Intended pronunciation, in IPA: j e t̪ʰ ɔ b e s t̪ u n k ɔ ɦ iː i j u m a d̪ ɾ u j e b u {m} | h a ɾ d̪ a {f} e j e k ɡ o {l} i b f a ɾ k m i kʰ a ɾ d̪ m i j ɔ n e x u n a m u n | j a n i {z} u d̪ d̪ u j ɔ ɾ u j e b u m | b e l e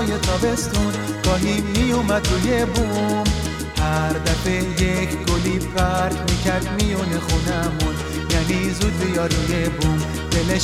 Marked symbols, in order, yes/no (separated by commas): yes, yes, yes, yes